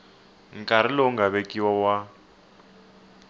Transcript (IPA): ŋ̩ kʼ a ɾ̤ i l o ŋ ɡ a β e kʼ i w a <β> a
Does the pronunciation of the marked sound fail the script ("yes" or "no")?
yes